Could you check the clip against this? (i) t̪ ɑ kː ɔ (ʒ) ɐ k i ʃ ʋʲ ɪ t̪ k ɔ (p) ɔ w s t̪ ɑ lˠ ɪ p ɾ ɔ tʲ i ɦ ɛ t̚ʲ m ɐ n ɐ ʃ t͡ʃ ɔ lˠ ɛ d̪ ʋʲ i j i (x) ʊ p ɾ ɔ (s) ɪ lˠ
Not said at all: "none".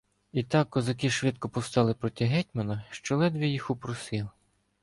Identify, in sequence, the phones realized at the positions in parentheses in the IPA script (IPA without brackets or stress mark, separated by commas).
i, z, p, x, s